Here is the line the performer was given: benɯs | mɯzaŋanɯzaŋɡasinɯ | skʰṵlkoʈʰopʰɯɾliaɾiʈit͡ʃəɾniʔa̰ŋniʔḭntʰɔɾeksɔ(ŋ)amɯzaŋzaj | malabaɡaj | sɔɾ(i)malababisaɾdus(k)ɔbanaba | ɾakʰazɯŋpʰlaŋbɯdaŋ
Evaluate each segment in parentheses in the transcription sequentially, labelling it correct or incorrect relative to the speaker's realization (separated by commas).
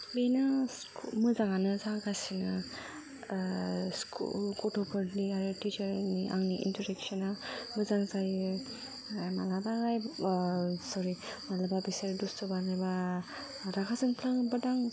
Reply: incorrect, correct, incorrect